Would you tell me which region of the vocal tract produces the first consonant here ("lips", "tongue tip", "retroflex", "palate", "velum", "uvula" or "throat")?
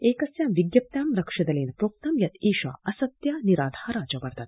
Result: velum